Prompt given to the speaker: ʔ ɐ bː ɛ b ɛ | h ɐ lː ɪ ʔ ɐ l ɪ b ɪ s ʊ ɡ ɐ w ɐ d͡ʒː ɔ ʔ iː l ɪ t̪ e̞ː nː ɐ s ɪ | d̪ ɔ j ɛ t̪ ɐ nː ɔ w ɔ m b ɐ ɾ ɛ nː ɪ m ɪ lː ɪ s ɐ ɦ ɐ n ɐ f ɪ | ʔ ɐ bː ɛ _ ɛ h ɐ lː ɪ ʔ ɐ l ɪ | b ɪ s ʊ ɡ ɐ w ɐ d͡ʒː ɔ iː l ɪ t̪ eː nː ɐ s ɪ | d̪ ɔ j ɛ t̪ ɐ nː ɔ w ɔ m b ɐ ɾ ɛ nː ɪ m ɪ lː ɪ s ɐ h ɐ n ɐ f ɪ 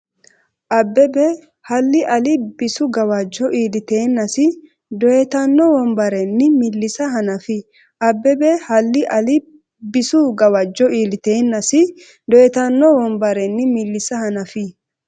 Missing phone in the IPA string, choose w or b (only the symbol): b